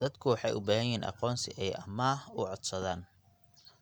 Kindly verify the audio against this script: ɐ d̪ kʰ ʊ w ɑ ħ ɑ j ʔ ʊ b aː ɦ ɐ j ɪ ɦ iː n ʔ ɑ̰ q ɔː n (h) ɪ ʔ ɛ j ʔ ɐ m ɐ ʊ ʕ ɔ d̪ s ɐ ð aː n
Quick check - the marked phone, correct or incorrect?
incorrect